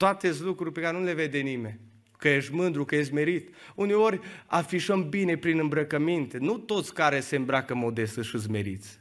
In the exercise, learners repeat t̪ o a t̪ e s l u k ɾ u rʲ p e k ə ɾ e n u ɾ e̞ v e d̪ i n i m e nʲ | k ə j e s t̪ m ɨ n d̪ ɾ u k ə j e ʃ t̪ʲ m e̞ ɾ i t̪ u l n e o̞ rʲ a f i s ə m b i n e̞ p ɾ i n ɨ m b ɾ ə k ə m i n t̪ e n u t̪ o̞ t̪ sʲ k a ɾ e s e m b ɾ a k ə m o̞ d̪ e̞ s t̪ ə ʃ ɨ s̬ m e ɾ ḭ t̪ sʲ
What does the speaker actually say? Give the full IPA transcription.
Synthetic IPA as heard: t̪ o a t̪ e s l u k ɾ u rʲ p e k a ɾ e n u l e̞ v e d̪ e n i m e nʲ | k ə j e ʃ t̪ m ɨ n d̪ ɾ u k ə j e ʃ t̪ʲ m e̞ ɾ i t̪ u n e o̞ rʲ a f i ʃ ə m b i n e̞ p ɾ i n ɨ m b ɾ ə k ə m i n t̪ e n u t̪ o̞ t̪ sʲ k a ɾ e s e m b ɾ a k ə m o̞ d̪ e̞ s t̪ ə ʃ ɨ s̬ m e ɾ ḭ t̪ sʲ